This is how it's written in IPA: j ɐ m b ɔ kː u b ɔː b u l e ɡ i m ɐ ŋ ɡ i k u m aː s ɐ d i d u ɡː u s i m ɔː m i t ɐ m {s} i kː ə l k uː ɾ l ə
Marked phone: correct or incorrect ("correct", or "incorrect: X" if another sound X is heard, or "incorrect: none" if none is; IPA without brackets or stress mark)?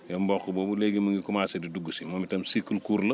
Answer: correct